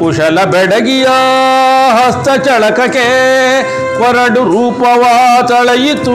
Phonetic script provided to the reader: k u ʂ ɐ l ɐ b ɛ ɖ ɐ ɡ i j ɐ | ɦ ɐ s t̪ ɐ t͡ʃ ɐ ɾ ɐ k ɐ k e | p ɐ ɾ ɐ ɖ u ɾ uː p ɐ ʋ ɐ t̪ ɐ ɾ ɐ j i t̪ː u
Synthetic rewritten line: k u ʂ ɐ l ɐ b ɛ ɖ ɐ ɡ i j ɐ | ɦ ɐ s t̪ ɐ t͡ʃ ɐ ɭ ɐ k ɐ k e | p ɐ ɾ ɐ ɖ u ɾ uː p ɐ ʋ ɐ t̪ ɐ ɭ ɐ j i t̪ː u